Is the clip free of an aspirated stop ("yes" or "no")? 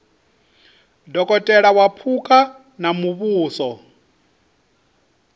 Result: no